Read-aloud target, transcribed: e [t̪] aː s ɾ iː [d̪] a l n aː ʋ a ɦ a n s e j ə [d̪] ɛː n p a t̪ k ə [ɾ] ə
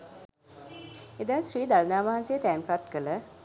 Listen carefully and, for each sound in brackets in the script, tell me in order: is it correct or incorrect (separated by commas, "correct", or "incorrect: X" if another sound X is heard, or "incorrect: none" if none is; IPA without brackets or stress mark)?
incorrect: d̪, correct, incorrect: t̪, incorrect: l